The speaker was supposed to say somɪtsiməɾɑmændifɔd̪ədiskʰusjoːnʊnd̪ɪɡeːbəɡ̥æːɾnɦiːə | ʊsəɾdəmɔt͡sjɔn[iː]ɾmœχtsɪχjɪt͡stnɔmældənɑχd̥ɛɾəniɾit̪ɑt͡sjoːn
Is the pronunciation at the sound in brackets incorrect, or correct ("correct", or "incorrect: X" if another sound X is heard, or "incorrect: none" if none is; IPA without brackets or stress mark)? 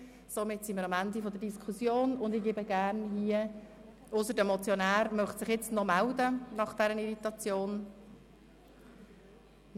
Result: incorrect: æː